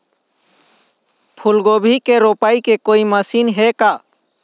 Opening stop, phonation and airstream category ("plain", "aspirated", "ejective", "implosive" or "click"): aspirated